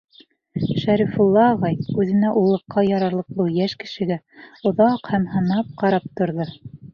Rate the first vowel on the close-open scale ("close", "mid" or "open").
open